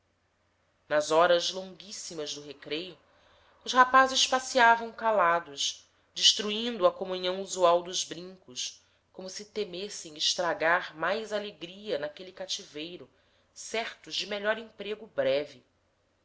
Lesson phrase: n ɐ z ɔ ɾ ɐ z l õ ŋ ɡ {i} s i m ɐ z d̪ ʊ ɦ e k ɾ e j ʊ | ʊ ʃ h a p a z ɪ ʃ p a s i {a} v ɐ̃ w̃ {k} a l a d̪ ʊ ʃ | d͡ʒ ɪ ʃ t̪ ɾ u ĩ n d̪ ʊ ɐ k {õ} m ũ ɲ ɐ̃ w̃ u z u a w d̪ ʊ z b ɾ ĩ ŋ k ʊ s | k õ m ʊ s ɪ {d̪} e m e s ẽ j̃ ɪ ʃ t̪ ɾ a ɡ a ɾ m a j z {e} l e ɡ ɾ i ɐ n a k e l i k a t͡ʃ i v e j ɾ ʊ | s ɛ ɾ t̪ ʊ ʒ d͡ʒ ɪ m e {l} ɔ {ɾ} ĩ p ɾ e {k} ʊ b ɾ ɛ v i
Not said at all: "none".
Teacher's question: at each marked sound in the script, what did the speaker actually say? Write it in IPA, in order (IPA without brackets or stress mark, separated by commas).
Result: i, a, k, o, t̪, a, ʎ, ɾ, ɡ